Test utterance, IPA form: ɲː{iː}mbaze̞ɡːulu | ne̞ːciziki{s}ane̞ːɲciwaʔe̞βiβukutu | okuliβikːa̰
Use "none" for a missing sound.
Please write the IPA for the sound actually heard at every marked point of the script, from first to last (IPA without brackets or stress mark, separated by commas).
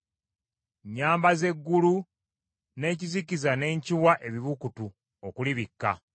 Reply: aː, z